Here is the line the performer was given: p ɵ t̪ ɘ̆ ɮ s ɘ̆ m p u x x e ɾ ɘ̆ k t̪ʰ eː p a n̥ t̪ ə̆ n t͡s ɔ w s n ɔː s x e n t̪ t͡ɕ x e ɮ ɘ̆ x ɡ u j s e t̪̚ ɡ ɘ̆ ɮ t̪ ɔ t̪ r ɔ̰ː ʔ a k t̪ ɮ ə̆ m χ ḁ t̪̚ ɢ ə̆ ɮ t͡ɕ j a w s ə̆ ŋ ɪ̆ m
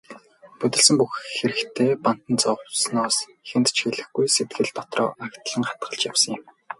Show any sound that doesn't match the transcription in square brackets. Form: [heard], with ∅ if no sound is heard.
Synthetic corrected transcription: p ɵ t̪ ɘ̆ ɮ s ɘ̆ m p u x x e ɾ ɘ̆ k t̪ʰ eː p a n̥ t̪ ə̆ n t͡s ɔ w s n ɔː s x e n t̪ t͡ɕ x e ɮ ɘ̆ x ɡ u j s e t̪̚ ɡ ɘ̆ ɮ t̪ ɔ t̪ r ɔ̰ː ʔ a k t̪ ɮ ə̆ [ŋ] χ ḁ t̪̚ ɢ ə̆ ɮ t͡ɕ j a w s ə̆ ŋ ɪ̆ m